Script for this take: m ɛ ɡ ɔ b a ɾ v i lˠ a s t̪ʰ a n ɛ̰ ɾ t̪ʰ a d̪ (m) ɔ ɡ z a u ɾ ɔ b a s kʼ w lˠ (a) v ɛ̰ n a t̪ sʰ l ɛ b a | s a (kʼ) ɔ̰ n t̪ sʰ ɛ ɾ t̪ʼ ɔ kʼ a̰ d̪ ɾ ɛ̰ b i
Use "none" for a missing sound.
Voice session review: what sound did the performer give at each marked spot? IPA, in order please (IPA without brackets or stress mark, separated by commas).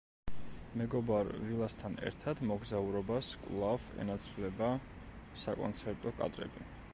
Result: m, a, kʼ